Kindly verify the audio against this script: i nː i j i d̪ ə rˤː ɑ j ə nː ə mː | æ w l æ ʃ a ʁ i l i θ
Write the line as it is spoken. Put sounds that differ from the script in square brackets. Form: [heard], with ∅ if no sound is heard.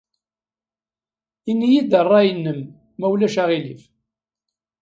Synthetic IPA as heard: i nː i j i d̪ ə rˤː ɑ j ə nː ə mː | æ w l æ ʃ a ʁ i l i [f]